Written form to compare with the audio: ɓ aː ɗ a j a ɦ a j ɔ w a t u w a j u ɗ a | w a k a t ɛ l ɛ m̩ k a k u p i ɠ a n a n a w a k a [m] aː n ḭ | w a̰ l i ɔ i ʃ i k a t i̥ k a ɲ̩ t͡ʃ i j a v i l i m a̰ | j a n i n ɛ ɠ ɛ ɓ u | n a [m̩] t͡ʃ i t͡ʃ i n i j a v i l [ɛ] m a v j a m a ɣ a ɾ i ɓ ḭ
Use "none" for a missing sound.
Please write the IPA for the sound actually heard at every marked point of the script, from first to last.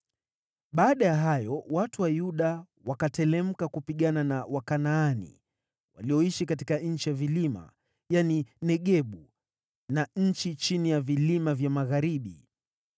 n, ɲ̩, i

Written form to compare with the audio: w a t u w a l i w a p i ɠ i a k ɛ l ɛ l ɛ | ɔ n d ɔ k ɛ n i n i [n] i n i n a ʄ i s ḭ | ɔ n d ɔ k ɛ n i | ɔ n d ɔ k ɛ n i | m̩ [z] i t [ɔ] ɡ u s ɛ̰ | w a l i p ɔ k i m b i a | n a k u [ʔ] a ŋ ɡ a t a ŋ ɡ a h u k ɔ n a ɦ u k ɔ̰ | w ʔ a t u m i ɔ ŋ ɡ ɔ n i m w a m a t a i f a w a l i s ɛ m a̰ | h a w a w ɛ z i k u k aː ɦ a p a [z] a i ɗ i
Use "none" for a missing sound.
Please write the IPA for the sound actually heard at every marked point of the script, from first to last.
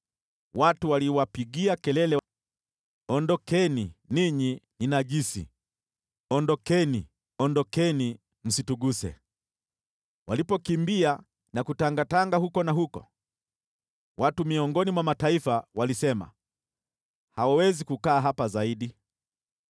ɲ, s, u, t, z

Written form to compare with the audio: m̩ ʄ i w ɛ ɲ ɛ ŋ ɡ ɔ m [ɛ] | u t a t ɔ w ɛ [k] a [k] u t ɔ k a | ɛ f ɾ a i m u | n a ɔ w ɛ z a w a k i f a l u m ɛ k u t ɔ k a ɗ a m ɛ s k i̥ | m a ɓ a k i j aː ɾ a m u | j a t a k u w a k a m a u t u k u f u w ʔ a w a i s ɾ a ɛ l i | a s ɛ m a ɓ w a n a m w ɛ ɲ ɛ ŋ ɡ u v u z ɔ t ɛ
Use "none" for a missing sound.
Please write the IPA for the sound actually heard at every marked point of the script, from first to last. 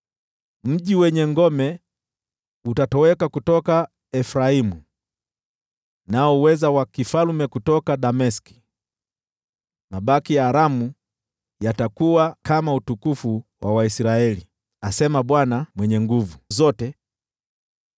ɛ, k, k

